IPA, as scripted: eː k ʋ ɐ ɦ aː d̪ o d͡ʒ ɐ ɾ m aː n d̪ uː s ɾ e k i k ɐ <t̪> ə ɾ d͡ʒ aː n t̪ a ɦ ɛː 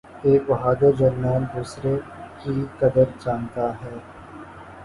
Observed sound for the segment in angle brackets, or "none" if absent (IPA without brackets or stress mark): d̪